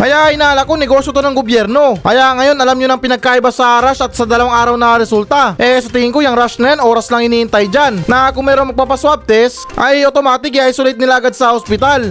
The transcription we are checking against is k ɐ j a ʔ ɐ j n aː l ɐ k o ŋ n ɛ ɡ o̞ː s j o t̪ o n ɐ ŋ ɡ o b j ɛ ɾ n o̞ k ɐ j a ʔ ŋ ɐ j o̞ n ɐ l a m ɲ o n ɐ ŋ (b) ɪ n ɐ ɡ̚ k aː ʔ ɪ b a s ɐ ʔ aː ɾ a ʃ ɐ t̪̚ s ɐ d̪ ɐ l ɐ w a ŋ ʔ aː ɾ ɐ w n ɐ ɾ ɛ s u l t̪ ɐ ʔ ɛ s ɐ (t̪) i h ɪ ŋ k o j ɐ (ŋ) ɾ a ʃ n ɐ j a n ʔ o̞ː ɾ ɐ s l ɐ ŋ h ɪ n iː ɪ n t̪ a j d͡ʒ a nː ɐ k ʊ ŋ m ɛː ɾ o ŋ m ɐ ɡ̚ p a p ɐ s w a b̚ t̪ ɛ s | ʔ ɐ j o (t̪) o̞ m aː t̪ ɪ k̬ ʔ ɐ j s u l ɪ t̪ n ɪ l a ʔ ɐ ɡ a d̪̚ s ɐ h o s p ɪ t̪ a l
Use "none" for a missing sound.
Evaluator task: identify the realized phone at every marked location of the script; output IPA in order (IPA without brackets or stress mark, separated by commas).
p, t̪, ŋ, t̪